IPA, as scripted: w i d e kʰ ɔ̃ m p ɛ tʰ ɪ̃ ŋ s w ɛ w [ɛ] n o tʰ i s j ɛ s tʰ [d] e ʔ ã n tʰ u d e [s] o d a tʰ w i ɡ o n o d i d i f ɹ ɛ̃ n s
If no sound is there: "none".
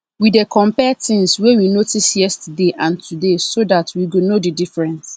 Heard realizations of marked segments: i, d, s

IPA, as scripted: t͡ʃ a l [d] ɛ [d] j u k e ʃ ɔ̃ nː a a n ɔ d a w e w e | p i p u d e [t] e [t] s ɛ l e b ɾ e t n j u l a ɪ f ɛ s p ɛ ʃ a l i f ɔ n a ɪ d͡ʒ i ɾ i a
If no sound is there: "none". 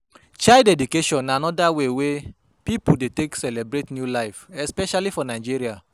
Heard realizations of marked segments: d, d, t, k

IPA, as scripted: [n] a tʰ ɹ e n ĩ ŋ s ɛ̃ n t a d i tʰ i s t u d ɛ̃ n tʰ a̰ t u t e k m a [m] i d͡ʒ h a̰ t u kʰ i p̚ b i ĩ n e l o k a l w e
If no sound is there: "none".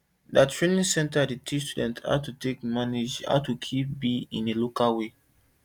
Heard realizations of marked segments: d, n

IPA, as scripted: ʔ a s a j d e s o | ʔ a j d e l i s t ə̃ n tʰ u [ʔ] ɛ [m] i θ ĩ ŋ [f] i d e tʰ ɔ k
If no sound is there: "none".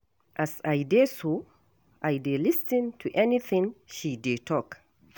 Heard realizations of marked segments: ʔ, n, ʃ

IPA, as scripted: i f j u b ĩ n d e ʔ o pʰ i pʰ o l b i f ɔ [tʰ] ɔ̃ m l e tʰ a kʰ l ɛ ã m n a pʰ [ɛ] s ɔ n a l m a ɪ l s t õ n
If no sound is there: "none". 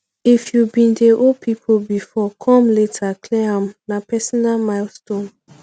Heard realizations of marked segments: kʰ, ɛ

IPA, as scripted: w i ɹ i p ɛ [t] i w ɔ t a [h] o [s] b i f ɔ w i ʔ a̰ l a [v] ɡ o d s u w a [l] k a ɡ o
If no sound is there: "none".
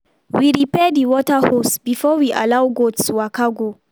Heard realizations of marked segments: d, h, s, w, none

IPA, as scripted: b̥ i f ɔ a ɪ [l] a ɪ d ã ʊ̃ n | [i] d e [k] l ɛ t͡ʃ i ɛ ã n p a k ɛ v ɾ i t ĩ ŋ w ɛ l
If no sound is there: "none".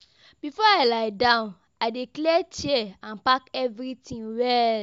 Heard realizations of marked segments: l, a, k

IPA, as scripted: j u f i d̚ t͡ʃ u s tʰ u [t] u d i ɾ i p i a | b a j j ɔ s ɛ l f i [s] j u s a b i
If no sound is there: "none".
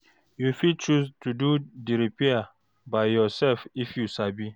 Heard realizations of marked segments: d, f

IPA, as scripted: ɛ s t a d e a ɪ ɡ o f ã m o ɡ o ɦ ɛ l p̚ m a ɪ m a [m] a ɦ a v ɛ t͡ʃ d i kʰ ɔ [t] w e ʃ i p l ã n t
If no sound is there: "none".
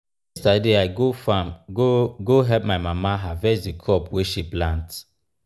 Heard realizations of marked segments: m, p

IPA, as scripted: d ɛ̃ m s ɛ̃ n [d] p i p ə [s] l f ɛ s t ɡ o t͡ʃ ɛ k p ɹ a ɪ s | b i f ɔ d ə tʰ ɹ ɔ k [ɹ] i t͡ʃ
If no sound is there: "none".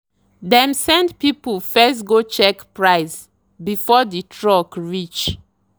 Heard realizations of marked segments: d, none, ɹ

